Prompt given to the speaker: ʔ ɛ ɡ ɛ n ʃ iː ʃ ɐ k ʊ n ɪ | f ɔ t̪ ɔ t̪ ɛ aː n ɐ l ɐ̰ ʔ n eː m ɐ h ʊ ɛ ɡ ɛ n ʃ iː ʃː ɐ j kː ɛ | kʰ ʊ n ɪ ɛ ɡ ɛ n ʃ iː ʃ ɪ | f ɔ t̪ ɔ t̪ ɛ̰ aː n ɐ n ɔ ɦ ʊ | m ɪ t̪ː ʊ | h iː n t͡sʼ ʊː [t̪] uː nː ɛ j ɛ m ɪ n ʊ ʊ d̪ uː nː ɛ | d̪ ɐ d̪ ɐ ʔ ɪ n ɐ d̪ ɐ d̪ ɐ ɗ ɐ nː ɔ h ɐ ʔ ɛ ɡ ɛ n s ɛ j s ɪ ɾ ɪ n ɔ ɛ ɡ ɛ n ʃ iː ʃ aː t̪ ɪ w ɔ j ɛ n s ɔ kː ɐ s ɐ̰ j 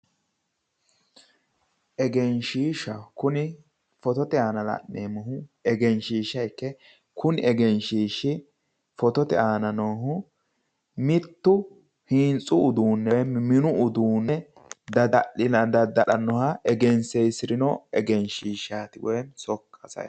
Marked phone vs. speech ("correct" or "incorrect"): incorrect